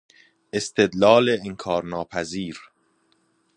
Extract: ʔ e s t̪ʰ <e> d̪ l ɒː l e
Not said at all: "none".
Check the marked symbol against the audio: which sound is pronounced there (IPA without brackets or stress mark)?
e